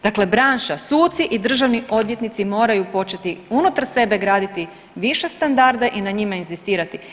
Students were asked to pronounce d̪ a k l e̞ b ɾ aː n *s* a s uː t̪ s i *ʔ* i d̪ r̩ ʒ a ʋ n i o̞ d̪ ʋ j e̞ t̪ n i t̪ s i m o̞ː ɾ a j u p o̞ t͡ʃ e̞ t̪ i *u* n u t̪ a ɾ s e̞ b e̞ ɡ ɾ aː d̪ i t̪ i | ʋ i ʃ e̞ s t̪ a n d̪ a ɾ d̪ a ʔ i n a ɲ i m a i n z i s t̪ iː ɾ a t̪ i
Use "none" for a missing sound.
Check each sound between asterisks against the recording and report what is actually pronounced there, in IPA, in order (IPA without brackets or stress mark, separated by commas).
ʃ, ʔ, u